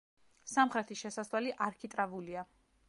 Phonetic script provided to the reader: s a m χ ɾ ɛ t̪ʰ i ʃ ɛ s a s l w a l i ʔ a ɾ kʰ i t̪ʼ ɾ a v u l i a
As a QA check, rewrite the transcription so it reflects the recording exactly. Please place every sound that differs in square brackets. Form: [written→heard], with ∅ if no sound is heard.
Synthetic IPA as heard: s a m χ ɾ ɛ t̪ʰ i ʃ ɛ s a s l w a l i ʔ a ɾ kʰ i t̪ʼ ɾ a v u l i a